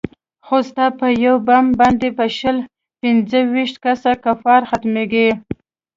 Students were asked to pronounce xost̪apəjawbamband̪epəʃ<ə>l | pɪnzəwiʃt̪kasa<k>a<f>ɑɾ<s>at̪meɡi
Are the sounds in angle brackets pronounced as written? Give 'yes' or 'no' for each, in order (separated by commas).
yes, yes, yes, no